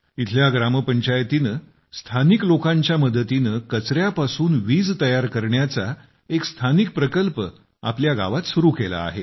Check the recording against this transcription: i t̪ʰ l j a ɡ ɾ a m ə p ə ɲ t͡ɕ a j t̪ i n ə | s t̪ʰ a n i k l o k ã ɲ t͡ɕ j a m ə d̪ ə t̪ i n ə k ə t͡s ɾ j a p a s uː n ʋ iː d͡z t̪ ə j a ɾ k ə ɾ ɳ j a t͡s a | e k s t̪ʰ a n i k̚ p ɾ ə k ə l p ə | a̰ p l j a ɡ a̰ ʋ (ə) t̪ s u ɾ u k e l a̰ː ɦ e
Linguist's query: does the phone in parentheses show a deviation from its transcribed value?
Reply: yes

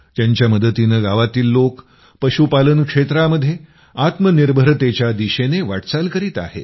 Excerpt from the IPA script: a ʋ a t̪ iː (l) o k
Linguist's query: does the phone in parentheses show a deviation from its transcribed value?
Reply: yes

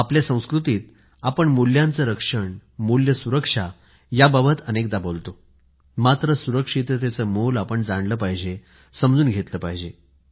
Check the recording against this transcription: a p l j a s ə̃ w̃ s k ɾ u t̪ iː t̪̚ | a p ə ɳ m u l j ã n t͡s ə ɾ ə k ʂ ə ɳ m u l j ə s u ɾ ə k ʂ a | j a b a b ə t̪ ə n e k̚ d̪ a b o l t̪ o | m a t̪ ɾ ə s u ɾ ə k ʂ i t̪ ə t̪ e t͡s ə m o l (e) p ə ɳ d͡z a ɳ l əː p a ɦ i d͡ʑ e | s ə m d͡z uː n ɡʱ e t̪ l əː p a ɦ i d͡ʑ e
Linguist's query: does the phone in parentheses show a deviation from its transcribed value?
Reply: yes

